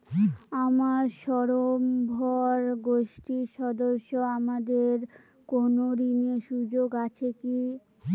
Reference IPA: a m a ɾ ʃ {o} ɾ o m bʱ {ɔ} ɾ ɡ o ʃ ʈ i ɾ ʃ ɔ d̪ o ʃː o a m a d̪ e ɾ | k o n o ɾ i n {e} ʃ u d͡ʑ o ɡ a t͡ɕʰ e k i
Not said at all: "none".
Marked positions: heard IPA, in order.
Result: ɔ, ɔ, e

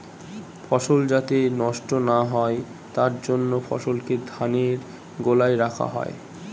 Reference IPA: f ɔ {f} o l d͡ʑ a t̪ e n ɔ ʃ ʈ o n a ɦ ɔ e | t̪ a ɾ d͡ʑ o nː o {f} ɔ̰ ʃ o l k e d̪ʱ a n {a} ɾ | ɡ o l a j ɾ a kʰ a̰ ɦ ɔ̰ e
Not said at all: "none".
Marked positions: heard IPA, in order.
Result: ʃ, f, e

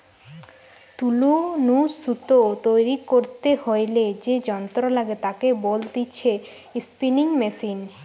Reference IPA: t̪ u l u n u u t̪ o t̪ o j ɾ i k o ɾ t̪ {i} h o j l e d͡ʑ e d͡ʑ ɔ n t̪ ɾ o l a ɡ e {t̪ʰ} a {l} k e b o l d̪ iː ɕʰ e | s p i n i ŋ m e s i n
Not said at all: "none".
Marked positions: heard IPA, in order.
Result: e, t̪, none

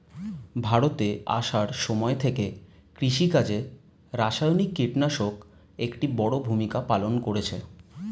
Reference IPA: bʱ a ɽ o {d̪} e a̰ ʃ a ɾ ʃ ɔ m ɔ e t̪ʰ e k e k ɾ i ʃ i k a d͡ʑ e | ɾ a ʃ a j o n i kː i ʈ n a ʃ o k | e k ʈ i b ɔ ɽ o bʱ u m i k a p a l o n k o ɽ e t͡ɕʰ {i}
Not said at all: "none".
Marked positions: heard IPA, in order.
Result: t̪, e

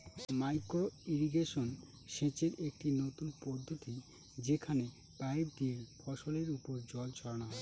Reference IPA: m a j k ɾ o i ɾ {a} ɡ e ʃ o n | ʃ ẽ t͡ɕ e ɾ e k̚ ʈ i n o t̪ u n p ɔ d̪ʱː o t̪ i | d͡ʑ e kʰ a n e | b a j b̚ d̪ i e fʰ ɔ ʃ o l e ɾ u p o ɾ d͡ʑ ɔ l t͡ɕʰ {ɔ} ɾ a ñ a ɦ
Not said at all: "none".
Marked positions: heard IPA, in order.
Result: i, ɔ

